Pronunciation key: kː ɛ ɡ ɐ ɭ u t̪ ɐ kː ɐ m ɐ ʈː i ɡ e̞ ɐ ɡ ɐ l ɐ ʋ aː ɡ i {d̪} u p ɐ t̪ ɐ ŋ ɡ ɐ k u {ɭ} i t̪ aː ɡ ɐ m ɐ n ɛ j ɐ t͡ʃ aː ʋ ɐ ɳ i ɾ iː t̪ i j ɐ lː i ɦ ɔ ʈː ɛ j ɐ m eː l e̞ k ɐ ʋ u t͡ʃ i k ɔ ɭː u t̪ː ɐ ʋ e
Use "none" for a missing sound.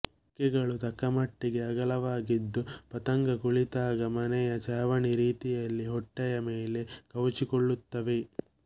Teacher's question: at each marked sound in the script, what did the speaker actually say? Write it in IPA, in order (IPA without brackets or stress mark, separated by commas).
d̪ː, ɭ